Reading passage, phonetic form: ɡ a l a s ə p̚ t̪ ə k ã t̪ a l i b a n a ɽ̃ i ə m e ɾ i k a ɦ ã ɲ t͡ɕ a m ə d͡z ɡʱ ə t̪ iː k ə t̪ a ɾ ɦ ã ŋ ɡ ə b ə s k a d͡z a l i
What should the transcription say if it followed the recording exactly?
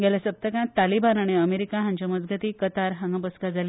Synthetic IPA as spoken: ɡ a l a s ə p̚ t̪ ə k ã t̪ a l i b a n a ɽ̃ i ə m e ɾ i k a ɦ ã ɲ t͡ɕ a m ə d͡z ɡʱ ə t̪ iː k ə t̪ a ɾ ɦ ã ŋ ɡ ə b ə s k a d͡z a l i